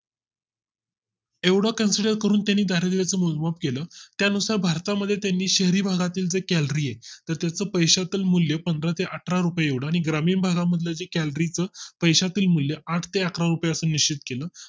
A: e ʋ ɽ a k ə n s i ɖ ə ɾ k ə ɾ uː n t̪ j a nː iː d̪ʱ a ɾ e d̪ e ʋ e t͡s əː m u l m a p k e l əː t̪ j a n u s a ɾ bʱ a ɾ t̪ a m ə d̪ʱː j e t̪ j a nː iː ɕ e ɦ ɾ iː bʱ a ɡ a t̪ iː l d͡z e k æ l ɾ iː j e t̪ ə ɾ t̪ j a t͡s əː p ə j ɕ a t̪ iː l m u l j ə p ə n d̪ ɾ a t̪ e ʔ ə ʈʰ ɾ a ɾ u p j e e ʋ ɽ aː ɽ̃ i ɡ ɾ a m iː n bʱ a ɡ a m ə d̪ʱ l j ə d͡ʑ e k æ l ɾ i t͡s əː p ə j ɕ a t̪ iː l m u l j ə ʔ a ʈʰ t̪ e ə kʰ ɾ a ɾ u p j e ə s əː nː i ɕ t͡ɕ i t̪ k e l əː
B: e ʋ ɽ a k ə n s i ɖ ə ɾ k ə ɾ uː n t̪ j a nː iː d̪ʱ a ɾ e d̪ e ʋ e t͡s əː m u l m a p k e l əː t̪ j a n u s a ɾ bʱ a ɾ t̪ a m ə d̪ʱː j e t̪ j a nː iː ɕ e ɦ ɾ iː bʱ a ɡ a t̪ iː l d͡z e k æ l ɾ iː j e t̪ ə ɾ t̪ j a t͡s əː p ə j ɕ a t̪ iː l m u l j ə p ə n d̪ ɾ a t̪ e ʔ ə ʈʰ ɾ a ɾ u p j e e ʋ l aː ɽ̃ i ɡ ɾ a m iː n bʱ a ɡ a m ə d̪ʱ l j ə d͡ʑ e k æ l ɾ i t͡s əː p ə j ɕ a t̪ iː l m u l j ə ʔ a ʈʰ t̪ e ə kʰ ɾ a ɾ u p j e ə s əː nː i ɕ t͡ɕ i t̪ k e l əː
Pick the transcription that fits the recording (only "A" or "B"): A